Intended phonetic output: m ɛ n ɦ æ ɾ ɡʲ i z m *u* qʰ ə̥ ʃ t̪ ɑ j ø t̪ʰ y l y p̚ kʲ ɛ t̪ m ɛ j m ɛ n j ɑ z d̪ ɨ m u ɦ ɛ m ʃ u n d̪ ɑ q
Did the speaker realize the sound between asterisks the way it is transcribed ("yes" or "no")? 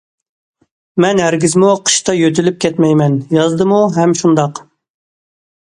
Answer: yes